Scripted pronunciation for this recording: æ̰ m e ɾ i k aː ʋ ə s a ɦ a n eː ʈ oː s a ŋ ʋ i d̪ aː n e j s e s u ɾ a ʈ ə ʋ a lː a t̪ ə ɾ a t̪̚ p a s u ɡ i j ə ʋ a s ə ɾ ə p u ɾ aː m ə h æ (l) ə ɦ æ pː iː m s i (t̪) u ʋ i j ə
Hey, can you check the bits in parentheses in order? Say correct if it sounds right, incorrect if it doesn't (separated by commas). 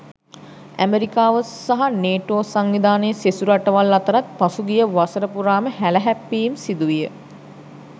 correct, incorrect